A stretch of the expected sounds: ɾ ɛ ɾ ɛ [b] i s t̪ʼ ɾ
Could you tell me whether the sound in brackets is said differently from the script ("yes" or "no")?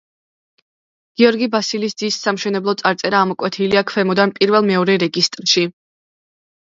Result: yes